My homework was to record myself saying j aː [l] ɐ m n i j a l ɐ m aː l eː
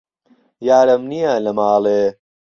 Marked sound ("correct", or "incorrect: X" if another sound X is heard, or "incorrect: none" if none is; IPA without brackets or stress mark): incorrect: ɾ